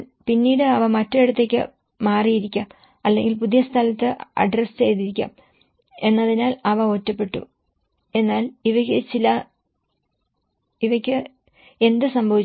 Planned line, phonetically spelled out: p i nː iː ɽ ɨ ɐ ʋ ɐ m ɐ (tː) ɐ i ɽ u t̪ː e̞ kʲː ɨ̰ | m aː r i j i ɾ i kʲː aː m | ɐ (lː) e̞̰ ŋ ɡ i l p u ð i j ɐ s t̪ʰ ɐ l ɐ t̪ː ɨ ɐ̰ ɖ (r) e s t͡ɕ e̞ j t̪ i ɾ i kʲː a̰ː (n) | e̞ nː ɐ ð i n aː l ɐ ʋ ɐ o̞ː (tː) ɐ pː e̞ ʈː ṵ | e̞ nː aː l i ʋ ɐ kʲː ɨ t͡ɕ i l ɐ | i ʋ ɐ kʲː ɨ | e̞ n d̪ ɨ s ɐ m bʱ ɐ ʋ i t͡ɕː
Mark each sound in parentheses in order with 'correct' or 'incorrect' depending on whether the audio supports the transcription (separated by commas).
correct, correct, correct, incorrect, correct